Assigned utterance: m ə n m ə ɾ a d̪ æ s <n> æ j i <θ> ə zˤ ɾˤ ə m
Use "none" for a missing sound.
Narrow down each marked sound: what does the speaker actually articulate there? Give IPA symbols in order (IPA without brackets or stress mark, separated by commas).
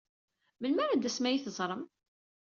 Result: m, θ